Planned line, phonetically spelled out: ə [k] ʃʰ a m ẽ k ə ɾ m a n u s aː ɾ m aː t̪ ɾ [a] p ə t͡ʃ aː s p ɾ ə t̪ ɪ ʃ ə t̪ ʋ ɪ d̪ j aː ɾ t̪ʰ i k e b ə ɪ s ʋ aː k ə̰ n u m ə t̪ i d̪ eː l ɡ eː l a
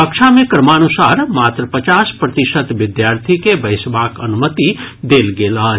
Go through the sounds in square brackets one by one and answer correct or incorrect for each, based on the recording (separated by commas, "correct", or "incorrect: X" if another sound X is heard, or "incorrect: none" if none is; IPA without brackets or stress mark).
correct, incorrect: ə